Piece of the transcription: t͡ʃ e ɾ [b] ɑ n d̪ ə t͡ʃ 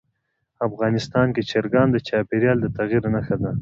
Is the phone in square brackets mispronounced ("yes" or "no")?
yes